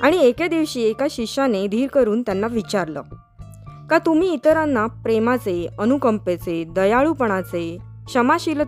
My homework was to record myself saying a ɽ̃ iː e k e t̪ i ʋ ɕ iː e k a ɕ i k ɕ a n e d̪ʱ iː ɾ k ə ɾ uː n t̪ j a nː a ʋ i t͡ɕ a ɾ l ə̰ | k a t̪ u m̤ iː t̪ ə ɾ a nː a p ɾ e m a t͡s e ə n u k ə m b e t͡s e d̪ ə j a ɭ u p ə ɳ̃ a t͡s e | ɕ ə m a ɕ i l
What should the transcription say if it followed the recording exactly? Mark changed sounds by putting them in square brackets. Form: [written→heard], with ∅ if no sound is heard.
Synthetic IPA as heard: a ɽ̃ [iː→i] e k e [t̪→d̪] i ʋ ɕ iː e k a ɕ i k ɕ a n e d̪ʱ iː ɾ k ə ɾ uː n t̪ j a nː a ʋ i t͡ɕ a ɾ l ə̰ | k a t̪ u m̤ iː t̪ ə ɾ a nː a p ɾ e m a t͡s e ə n u k ə m [b→p] e t͡s e d̪ ə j a ɭ u p ə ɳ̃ a t͡s e | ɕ ə m a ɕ i l